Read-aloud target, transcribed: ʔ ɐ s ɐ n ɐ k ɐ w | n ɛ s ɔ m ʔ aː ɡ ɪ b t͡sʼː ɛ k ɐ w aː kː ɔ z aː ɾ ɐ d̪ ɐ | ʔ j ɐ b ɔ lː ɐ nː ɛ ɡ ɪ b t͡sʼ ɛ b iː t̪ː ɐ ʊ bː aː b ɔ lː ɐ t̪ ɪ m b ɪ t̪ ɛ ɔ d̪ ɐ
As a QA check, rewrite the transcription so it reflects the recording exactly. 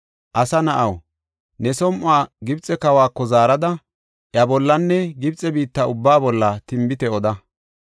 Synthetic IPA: ʔ ɐ s ɐ n ɐ ʔ ɐ w | n ɛ s ɔ m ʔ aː ɡ ɪ b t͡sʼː ɛ k ɐ w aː kː ɔ z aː ɾ ɐ d̪ ɐ | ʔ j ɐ b ɔ lː ɐ nː ɛ ɡ ɪ b t͡sʼ ɛ b iː t̪ː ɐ ʊ bː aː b ɔ lː ɐ t̪ ɪ m b ɪ t̪ ɛ ɔ d̪ ɐ